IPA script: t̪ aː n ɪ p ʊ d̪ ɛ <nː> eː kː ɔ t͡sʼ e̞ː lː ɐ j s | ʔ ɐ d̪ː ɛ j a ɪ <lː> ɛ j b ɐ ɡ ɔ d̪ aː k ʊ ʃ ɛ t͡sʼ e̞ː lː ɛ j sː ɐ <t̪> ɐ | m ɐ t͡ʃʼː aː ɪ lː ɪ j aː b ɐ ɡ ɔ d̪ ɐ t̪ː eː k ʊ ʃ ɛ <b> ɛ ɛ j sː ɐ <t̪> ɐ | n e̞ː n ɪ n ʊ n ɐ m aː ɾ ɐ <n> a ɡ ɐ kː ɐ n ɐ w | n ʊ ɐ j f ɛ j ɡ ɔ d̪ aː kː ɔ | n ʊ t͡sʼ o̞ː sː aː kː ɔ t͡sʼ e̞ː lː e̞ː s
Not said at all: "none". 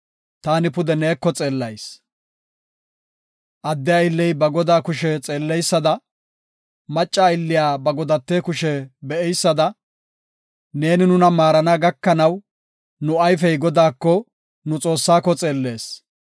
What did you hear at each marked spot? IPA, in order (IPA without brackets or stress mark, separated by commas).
n, lː, d̪, b, d̪, n